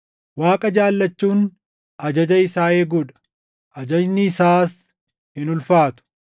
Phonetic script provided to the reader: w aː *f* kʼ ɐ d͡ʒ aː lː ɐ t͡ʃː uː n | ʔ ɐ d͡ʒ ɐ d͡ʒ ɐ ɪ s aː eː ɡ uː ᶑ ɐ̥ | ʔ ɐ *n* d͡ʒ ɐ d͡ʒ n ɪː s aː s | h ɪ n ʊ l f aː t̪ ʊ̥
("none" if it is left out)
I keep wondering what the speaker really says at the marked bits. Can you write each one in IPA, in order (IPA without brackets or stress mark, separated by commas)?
none, none